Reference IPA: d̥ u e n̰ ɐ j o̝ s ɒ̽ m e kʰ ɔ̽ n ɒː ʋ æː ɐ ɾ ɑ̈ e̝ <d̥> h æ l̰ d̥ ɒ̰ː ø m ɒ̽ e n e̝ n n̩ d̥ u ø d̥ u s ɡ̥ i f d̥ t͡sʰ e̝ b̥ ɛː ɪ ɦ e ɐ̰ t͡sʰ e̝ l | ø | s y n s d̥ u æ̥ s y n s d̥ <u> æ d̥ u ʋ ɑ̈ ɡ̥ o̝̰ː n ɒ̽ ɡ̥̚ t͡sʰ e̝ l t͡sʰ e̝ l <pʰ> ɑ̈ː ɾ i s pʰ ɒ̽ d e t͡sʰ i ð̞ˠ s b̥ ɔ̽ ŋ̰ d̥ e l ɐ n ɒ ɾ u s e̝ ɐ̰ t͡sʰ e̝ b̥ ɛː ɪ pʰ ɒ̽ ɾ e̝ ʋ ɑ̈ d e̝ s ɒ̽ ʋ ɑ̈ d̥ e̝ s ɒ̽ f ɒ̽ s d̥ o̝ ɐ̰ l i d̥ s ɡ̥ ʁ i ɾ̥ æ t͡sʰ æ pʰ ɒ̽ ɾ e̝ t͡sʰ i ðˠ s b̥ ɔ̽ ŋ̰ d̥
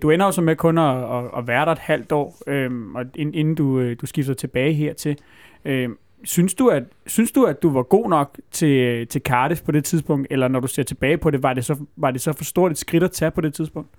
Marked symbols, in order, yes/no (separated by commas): yes, yes, no